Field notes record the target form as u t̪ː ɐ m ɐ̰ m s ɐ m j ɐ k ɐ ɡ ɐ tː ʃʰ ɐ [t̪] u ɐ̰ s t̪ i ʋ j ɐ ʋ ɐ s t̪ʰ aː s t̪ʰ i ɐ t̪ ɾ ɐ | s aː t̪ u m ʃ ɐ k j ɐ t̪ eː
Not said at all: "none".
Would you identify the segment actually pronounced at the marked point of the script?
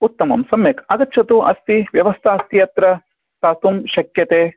t̪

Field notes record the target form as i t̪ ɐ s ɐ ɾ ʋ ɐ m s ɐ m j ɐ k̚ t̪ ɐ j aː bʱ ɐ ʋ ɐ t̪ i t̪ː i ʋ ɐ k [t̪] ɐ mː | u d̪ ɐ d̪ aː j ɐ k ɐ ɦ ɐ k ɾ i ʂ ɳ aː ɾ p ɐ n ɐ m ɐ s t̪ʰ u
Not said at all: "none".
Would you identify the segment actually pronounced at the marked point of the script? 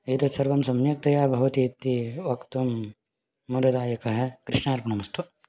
t̪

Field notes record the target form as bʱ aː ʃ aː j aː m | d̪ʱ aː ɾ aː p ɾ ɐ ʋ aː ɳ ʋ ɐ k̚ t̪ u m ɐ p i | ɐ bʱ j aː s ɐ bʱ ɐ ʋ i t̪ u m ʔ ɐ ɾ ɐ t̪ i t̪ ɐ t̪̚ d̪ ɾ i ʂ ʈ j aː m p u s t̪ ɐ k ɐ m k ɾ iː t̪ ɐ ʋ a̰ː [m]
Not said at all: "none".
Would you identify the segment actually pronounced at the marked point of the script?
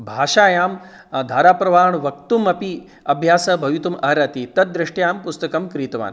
n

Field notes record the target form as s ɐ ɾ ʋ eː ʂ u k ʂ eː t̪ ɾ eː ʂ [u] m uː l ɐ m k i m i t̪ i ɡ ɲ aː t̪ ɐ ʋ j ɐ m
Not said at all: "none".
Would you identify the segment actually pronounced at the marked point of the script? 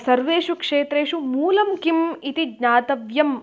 u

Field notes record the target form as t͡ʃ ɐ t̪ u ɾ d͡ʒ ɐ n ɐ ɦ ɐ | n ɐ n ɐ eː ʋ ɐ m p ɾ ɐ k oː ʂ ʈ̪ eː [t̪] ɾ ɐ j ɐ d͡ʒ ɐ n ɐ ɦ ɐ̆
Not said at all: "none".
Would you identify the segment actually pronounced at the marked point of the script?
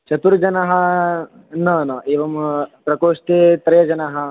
t̪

